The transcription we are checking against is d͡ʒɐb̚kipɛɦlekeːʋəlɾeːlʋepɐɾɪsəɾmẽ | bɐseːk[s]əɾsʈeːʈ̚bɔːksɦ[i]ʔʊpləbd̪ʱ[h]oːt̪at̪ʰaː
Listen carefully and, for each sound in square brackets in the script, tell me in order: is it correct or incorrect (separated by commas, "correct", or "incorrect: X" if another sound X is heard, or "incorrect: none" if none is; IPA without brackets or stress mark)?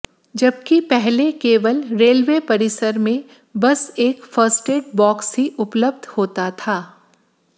incorrect: f, correct, correct